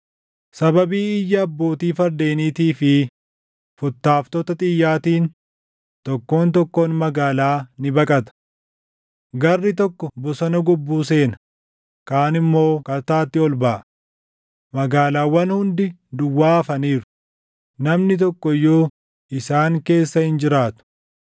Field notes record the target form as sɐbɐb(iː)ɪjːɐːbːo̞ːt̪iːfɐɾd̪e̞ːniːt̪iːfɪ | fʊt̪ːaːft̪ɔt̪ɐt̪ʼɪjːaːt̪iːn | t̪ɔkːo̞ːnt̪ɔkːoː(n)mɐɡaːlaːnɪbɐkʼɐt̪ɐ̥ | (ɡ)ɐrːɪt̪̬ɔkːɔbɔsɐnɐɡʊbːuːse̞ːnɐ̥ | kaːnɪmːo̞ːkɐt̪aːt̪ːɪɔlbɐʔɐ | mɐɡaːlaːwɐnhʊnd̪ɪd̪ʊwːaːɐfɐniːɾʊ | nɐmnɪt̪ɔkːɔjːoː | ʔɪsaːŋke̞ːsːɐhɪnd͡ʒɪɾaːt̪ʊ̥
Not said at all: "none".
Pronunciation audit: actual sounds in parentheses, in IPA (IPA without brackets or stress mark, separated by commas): iː, n, ɡ